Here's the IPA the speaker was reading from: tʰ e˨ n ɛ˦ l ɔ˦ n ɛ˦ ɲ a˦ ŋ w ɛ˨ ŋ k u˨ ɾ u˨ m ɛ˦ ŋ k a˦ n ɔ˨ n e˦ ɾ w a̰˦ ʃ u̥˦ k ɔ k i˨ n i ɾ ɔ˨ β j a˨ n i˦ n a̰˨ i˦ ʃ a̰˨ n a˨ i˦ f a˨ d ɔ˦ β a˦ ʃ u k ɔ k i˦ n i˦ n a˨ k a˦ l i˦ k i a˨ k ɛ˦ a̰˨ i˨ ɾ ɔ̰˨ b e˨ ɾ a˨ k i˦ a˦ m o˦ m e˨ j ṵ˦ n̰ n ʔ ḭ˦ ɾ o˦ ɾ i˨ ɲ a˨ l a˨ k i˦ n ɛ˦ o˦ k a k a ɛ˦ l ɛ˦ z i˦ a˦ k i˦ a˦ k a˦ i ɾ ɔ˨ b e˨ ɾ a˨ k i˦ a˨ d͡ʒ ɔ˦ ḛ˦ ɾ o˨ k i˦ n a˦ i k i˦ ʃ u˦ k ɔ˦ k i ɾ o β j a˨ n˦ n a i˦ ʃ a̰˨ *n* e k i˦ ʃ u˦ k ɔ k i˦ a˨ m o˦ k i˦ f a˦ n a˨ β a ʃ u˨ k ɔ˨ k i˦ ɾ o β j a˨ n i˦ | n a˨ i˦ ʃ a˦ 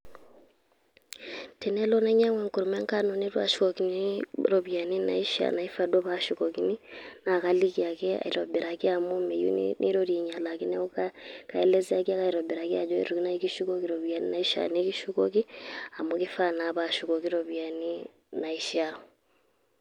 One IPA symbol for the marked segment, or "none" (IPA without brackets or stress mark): n